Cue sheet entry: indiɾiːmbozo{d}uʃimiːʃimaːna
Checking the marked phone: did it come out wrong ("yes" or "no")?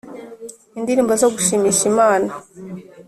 yes